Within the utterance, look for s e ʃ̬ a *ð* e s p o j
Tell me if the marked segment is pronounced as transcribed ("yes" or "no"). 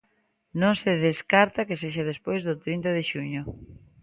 yes